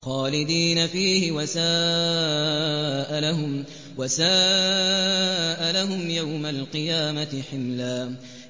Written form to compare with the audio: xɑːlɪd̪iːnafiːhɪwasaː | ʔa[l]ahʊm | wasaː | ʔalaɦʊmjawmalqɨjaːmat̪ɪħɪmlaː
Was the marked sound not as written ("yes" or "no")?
no